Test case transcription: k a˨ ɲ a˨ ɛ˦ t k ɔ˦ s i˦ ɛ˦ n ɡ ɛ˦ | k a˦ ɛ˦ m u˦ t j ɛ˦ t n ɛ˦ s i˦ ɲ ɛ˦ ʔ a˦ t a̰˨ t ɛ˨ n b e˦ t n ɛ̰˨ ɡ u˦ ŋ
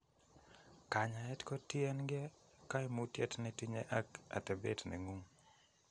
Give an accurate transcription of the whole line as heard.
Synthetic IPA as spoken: k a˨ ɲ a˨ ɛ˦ t k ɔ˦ t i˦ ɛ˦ n ɡ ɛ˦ | k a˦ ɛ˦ m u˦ t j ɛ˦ t n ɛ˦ t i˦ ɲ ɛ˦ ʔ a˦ k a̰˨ t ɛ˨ b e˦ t n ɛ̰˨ ŋ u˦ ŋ